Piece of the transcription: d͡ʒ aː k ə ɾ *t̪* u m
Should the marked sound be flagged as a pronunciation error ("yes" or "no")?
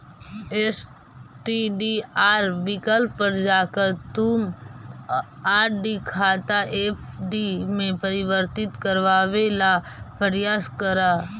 no